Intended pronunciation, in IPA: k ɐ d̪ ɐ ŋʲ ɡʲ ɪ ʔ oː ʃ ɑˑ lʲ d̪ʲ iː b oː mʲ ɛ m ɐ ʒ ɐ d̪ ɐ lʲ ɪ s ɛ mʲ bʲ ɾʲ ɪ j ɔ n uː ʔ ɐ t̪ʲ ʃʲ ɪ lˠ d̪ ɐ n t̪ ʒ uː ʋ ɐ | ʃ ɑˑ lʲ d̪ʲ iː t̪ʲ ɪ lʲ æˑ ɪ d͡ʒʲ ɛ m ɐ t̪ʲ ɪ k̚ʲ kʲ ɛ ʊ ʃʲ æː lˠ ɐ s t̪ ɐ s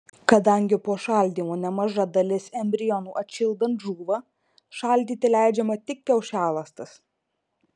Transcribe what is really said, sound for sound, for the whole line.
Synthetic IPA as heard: k ɐ d̪ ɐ ŋʲ ɡʲ ɪ p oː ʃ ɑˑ lʲ d̪ʲ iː m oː nʲ ɛ m ɐ ʒ ɐ d̪ ɐ lʲ ɪ s ɛ mʲ bʲ ɾʲ ɪ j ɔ n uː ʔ ɐ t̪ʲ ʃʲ ɪ lˠ d̪ ɐ n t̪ ʒ uː ʋ ɐ | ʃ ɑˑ lʲ d̪ʲ iː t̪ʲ ɪ lʲ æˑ ɪ d͡ʒʲ ɛ m ɐ t̪ʲ ɪ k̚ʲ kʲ ɛ ʊ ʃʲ æː lˠ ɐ s t̪ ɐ s